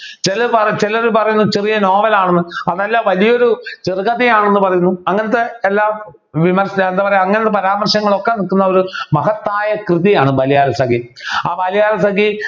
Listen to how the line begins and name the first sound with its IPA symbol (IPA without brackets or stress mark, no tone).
t͡ɕ